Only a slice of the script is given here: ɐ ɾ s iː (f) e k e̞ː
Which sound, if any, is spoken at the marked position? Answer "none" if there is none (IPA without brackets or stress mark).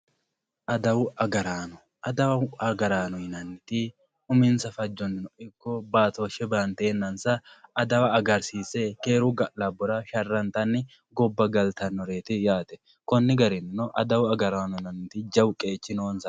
s